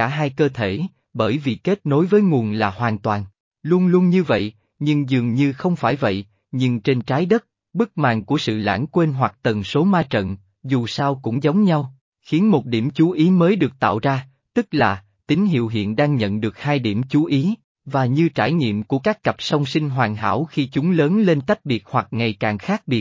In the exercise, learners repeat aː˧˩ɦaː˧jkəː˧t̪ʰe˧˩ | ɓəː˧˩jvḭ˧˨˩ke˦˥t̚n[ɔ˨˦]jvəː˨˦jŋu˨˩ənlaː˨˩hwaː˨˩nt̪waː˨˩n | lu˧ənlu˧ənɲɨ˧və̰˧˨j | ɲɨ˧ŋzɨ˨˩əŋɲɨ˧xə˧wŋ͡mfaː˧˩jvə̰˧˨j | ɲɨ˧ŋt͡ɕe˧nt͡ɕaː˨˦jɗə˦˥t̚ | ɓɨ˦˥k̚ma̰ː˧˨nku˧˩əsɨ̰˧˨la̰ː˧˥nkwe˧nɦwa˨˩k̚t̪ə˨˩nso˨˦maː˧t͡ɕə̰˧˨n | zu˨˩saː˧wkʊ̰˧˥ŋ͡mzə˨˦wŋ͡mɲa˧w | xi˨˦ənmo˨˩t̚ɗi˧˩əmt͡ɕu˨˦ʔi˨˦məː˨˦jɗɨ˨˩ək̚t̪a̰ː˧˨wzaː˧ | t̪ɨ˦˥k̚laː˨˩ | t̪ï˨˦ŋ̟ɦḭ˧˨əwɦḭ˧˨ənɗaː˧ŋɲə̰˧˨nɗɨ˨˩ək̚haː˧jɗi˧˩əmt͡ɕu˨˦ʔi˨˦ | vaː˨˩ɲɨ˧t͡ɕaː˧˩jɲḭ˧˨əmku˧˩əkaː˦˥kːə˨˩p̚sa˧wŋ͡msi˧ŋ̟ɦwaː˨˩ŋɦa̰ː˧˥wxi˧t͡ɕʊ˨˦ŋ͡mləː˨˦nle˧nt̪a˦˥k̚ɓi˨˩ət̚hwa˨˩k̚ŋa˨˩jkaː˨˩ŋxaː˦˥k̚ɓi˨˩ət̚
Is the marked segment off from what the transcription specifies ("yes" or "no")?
yes